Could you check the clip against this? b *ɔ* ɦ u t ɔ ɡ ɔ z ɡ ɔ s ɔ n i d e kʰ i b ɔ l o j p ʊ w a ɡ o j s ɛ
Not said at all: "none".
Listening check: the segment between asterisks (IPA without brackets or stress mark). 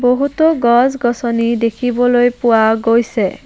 o